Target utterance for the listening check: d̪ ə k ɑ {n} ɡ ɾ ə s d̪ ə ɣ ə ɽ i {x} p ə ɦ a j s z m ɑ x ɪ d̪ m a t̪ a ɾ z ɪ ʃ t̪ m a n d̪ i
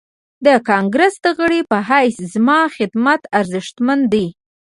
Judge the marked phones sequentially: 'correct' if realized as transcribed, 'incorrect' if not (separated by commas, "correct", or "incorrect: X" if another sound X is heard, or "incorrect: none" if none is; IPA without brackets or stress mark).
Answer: incorrect: ŋ, incorrect: none